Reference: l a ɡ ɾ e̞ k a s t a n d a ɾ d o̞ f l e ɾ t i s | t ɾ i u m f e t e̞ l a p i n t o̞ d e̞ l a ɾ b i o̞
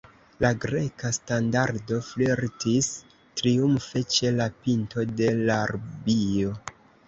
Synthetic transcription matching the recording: l a ɡ ɾ e̞ k a s t a n d a ɾ d o̞ f l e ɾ t i s | t ɾ i u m f e t͡ʃ e̞ l a p i n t o̞ d e̞ l a ɾ b i o̞